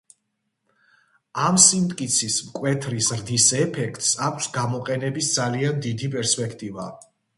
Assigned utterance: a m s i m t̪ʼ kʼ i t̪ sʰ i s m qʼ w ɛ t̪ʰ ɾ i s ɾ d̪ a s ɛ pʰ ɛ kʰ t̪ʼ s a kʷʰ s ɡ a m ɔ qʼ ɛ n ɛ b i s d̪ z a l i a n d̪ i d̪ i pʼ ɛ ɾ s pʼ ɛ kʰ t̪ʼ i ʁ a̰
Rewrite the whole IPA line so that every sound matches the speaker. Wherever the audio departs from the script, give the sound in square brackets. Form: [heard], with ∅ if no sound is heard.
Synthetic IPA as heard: a m s i m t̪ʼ kʼ i t̪ sʰ i s m [kʼ] w ɛ t̪ʰ ɾ i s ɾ d̪ [i] s ɛ pʰ ɛ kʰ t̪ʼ s a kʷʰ s ɡ a m ɔ qʼ ɛ n ɛ b i s d̪ z a l i a n d̪ i d̪ i pʼ ɛ ɾ s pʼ ɛ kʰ t̪ʼ i [v] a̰

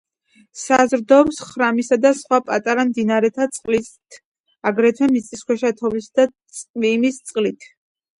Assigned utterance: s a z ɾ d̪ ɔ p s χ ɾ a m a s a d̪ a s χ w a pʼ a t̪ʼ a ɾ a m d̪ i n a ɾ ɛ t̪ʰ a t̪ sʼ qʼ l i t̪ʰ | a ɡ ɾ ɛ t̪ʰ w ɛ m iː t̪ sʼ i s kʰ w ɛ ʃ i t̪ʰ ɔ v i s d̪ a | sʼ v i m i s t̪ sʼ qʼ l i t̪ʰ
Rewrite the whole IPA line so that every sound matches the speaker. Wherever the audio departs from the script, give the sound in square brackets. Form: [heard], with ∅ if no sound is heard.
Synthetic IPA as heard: s a z ɾ d̪ ɔ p s χ ɾ a m [i] s a d̪ a s χ w a pʼ a t̪ʼ a ɾ a m d̪ i n a ɾ ɛ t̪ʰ a t̪ sʼ qʼ l i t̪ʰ | a ɡ ɾ ɛ t̪ʰ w ɛ m [i] t̪ sʼ i s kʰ w ɛ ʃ [a] t̪ʰ ɔ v i s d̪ a | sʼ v i m i s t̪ sʼ qʼ l i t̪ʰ

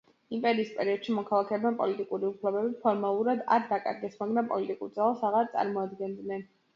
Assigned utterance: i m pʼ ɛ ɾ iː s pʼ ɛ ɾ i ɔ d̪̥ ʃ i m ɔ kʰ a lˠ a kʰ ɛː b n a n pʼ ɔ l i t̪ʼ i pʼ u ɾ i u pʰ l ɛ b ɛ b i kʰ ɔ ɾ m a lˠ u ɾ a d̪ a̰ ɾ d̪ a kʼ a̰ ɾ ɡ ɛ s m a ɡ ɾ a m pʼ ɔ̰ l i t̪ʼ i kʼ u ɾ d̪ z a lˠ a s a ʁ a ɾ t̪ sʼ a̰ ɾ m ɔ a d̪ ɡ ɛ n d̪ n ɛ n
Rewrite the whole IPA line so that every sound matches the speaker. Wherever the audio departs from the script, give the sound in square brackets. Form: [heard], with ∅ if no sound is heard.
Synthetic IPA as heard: i m pʼ ɛ ɾ iː s pʼ ɛ ɾ i ɔ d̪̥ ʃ i m ɔ kʰ a lˠ a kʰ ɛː b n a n pʼ ɔ l i t̪ʼ i [kʼ] u ɾ i u pʰ l ɛ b ɛ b i [pʰ] ɔ ɾ m a lˠ u ɾ a d̪ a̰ ɾ d̪ a kʼ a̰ ɾ ɡ ɛ s m a ɡ ɾ a m pʼ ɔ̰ l i t̪ʼ i kʼ u ɾ d̪ z a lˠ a s a ʁ a ɾ t̪ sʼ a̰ ɾ m ɔ a d̪ ɡ ɛ n d̪ n ɛ n

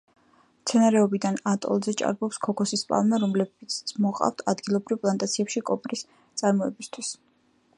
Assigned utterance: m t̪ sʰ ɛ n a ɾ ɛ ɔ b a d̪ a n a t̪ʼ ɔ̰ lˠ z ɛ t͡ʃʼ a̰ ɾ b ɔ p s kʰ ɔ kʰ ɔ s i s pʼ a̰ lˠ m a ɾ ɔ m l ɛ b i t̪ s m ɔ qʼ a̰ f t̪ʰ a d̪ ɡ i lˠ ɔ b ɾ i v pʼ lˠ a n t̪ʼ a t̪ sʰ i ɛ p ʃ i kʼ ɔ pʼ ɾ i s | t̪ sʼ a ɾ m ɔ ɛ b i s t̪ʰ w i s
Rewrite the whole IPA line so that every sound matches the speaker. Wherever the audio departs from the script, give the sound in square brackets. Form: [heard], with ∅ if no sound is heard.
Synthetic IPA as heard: m t̪ sʰ ɛ n a ɾ ɛ ɔ b [i] d̪ a n a t̪ʼ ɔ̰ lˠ z ɛ t͡ʃʼ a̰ ɾ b ɔ p s kʰ ɔ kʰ ɔ s i s pʼ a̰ lˠ m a ɾ ɔ m l ɛ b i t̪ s m ɔ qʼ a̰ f t̪ʰ a d̪ ɡ i lˠ ɔ b ɾ i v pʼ lˠ a n t̪ʼ a t̪ sʰ i ɛ p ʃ i kʼ ɔ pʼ ɾ i s | t̪ sʼ a ɾ m ɔ ɛ b i s t̪ʰ w i s

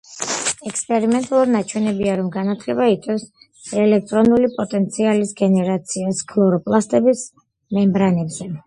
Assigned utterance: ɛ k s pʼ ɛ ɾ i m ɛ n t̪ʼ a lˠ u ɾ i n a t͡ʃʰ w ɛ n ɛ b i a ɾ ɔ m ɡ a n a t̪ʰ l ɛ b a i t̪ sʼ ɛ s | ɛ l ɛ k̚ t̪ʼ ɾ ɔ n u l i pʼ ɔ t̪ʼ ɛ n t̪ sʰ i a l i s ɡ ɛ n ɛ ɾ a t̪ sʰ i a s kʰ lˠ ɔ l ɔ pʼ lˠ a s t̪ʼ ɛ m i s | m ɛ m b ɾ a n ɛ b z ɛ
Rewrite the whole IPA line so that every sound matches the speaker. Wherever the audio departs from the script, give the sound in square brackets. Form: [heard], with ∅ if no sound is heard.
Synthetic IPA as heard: ɛ k s pʼ ɛ ɾ i m ɛ n t̪ʼ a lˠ u ɾ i n a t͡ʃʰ w ɛ n ɛ b i a ɾ ɔ m ɡ a n a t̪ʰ l ɛ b a i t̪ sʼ ɛ s | ɛ l ɛ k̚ t̪ʼ ɾ ɔ n u l i pʼ ɔ t̪ʼ ɛ n t̪ sʰ i a l i s ɡ ɛ n ɛ ɾ a t̪ sʰ i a s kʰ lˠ ɔ [ɾ] ɔ pʼ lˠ a s t̪ʼ ɛ [b] i s | m ɛ m b ɾ a n ɛ b z ɛ

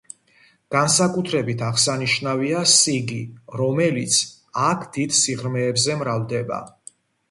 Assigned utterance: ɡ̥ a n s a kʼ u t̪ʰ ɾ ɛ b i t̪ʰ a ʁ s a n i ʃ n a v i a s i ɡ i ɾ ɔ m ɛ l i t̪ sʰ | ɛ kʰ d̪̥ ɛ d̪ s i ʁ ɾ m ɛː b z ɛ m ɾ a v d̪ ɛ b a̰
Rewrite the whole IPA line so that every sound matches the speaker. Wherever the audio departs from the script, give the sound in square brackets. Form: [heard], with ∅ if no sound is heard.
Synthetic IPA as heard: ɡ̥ a n s a kʼ u t̪ʰ ɾ ɛ b i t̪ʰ a ʁ s a n i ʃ n a v i a s i ɡ i ɾ ɔ m ɛ l i t̪ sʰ | [a] kʰ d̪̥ [i] d̪ s i ʁ ɾ m ɛː b z ɛ m ɾ a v d̪ ɛ b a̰

